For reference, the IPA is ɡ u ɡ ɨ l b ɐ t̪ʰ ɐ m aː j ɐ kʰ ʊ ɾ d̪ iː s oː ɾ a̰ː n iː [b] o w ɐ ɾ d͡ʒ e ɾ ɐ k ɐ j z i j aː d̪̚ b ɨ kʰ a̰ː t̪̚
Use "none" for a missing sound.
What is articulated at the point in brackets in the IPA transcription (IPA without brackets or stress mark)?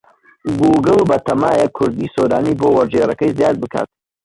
b